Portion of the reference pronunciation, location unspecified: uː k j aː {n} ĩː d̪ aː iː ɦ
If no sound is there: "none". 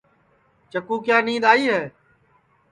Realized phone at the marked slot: n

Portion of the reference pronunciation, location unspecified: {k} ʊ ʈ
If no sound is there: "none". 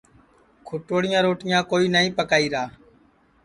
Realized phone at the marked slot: kʰ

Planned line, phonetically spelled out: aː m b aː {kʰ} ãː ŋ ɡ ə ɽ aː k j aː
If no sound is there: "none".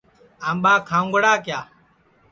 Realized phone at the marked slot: kʰ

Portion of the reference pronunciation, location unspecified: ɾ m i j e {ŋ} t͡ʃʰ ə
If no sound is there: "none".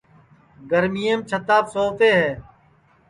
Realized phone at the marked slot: m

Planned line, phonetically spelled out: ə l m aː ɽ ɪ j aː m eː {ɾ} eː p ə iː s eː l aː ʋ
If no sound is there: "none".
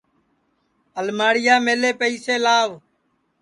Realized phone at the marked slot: l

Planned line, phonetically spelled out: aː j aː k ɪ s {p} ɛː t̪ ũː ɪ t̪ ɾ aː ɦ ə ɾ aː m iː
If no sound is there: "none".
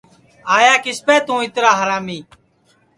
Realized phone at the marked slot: p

